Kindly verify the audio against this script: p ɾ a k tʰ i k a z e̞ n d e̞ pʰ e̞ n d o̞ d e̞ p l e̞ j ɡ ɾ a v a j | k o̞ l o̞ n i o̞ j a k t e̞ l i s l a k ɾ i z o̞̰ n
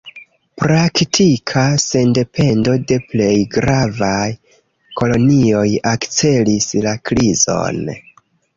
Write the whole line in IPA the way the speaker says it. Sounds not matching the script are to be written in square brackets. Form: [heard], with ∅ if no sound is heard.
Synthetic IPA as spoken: p ɾ a k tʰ i [kʰ] a [s] e̞ n d e̞ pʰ e̞ n d o̞ d e̞ p l e̞ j ɡ ɾ a v a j | k o̞ l o̞ n i o̞ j a k [t͡s] e̞ l i s l a k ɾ i z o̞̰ n